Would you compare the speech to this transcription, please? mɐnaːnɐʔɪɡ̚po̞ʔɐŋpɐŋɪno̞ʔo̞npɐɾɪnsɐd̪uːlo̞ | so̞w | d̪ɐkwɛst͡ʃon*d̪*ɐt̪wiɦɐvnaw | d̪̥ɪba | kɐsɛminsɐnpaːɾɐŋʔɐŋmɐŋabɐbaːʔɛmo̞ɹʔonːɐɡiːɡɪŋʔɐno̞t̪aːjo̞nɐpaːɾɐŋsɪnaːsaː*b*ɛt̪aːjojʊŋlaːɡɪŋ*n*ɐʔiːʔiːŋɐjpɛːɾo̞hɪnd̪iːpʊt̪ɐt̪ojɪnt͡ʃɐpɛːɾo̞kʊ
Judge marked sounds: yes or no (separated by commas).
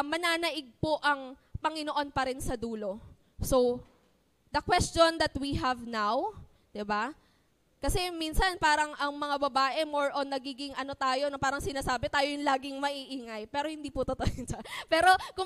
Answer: yes, yes, no